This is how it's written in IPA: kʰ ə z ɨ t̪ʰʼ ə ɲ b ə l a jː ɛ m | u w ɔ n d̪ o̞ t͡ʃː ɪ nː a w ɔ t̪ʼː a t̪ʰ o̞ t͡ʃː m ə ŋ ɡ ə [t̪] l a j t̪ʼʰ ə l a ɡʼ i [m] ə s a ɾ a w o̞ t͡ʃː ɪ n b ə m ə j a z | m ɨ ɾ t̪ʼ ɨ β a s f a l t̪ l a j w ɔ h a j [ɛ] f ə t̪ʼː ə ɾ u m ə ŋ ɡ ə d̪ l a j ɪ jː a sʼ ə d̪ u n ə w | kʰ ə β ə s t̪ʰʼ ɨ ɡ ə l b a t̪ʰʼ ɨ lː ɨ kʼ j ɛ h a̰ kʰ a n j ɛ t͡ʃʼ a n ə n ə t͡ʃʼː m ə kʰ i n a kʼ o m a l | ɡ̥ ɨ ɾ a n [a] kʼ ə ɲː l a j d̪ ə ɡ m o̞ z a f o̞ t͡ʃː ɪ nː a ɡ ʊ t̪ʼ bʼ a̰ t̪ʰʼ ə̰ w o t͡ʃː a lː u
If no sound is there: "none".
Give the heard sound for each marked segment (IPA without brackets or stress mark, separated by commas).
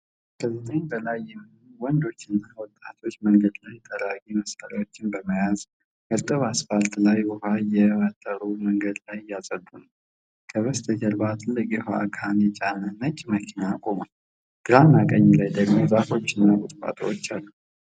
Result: d̪, m, ɛ, a